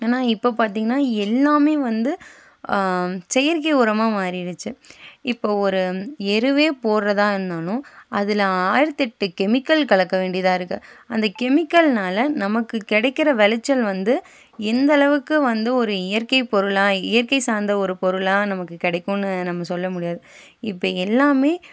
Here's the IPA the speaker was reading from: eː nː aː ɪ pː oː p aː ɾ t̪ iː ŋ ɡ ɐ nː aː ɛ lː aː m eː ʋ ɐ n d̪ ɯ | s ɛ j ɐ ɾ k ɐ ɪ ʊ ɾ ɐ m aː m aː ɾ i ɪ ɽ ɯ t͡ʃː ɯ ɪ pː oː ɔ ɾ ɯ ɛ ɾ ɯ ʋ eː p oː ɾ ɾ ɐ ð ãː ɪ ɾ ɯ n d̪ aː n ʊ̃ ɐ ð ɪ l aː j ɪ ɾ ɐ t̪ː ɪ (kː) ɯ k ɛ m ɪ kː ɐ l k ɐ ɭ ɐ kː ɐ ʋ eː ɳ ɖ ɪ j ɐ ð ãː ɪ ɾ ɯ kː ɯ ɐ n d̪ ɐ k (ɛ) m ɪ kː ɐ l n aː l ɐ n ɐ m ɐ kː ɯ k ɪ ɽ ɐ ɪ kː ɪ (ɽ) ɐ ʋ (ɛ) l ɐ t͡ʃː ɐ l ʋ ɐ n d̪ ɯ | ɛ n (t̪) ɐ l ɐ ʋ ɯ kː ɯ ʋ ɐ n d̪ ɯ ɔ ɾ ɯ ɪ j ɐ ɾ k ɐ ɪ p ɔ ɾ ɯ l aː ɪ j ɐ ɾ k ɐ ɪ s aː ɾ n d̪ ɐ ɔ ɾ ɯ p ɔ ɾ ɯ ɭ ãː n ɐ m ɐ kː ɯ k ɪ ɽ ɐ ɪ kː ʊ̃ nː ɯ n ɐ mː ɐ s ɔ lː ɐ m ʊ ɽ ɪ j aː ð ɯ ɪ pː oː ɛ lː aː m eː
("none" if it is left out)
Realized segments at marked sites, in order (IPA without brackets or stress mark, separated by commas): ʈː, ɛ, ɾ, ɛ, d̪